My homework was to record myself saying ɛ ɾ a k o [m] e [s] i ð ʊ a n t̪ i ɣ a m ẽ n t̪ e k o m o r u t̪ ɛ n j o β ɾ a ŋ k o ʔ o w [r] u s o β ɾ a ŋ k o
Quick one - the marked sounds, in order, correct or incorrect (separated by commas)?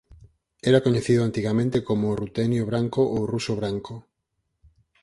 incorrect, incorrect, correct